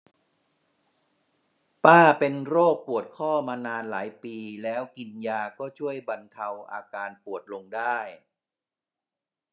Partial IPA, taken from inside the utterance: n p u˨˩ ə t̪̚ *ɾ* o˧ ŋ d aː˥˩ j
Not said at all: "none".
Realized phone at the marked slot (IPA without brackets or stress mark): l